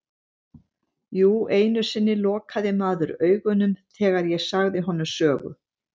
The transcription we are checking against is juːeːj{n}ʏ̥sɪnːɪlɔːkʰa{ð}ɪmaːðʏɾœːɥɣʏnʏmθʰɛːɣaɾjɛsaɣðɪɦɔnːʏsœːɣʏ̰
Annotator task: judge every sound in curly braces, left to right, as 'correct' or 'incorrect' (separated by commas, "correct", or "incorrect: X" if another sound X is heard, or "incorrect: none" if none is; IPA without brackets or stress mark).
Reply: correct, correct